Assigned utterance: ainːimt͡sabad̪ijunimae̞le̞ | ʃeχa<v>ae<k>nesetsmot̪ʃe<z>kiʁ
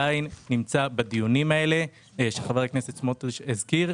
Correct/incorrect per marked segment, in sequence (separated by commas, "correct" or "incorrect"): correct, correct, correct